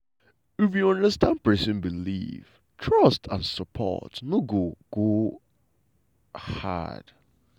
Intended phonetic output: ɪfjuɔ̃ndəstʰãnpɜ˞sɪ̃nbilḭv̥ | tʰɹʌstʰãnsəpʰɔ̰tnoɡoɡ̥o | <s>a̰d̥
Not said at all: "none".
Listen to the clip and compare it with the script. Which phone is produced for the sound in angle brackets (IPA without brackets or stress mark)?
h